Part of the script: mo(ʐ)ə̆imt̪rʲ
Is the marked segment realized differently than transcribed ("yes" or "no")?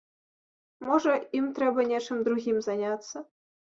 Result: no